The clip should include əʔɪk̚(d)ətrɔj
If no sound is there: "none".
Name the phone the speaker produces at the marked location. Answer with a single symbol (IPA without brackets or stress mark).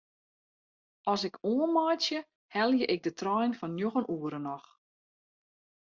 d